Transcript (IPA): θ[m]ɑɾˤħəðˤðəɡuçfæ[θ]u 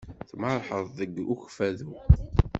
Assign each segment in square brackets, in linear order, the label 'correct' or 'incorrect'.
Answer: correct, incorrect: ð

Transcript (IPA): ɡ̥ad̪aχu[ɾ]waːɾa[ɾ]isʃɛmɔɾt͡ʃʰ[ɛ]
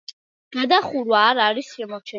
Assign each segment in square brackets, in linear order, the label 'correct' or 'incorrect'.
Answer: correct, correct, correct

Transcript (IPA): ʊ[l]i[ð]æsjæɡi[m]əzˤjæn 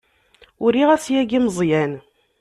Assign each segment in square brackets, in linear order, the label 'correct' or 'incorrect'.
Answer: incorrect: ɾ, incorrect: ʁ, correct

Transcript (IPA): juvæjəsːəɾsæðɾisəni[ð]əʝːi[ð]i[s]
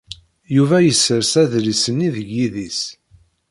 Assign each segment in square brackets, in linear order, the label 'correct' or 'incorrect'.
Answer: correct, correct, correct

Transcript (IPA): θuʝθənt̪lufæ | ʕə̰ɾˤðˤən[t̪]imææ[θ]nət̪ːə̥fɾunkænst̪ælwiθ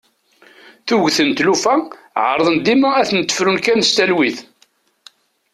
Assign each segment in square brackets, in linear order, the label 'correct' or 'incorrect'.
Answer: incorrect: d̪, correct

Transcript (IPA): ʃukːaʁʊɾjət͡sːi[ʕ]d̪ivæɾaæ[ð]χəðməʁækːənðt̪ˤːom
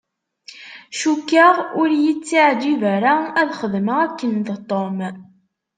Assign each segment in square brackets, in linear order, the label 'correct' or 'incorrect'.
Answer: correct, correct

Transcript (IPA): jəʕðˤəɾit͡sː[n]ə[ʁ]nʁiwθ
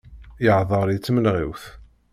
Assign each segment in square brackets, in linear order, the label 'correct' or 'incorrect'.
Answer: incorrect: m, incorrect: none

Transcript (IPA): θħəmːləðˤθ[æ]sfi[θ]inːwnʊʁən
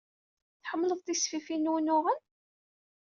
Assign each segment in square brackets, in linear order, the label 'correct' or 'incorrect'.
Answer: incorrect: i, incorrect: f

